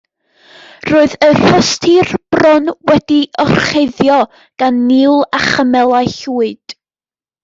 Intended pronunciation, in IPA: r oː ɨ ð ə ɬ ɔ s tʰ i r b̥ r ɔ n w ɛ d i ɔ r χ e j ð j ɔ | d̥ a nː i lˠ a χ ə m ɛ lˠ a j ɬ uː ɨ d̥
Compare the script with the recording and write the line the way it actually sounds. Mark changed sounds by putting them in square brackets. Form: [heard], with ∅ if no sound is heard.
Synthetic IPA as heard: r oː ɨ ð ə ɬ ɔ s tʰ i r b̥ r ɔ n w ɛ d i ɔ r χ e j ð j ɔ | [ɡ̥] a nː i lˠ a χ ə m ɛ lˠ a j ɬ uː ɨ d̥